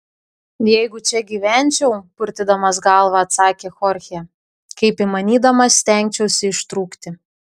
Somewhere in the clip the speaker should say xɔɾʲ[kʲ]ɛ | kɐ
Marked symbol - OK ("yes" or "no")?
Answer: no